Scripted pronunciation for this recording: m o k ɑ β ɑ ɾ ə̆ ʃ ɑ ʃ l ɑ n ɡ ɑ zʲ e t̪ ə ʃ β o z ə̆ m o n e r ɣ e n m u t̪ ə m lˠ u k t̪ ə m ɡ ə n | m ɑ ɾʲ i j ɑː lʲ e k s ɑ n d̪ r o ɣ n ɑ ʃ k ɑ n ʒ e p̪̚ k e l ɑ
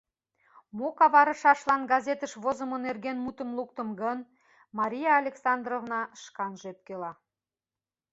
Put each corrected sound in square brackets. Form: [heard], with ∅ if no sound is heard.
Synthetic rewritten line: m o k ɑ β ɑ ɾ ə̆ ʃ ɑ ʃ l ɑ n ɡ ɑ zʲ e t̪ ə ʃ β o z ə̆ m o n e r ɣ e n m u t̪ ə m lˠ u k t̪ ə m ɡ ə n | m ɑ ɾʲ i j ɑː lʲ e k s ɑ n d̪ r o [v] n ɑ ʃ k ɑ n ʒ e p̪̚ k e l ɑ